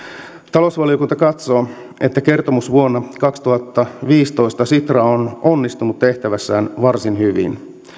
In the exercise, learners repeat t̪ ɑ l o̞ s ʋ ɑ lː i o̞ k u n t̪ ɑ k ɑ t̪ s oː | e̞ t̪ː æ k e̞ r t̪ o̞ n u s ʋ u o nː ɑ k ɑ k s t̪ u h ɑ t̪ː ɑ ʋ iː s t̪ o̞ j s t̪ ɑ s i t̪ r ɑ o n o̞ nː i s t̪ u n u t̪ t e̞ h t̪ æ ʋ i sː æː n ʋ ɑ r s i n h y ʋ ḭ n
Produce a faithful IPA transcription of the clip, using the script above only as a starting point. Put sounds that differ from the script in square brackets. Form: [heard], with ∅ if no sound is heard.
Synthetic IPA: t̪ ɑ l o̞ s ʋ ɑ [l] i o̞ k u n t̪ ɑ k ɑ t̪ s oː | e̞ t̪ː æ k e̞ r t̪ o̞ [m] u s ʋ u o nː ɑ k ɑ k s t̪ u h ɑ t̪ː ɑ ʋ iː s t̪ o̞ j s t̪ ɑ s i t̪ r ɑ o n o̞ nː i s t̪ u n u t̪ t e̞ h t̪ æ ʋ [æ] sː æː n ʋ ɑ r s i n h y ʋ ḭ n